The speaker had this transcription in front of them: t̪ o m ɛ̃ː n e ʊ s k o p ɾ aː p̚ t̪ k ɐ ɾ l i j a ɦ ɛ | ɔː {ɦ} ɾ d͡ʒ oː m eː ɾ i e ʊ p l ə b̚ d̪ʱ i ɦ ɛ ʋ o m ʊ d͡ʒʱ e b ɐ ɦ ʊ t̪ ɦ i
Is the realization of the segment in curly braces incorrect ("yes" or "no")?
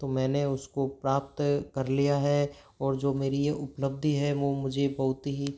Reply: yes